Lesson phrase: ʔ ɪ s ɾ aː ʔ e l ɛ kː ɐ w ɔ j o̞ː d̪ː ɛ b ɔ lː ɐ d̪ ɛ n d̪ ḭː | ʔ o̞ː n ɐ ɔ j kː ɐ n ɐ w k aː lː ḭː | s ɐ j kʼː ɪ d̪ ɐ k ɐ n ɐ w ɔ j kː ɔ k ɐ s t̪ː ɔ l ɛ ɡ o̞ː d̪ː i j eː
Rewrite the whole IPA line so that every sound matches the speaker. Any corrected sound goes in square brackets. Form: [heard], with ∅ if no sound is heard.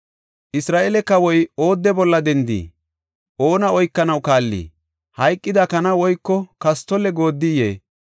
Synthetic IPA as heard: ʔ ɪ s ɾ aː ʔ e l ɛ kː ɐ w ɔ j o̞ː d̪ː ɛ b ɔ lː ɐ d̪ ɛ n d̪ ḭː | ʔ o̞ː n ɐ ɔ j kː ɐ n ɐ w k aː lː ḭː | [h] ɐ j kʼː ɪ d̪ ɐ k ɐ n ɐ w ɔ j kː ɔ k ɐ s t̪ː ɔ l ɛ ɡ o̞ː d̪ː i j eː